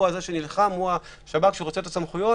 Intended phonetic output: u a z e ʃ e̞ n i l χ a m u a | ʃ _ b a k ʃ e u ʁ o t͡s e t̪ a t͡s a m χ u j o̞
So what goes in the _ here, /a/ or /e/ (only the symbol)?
a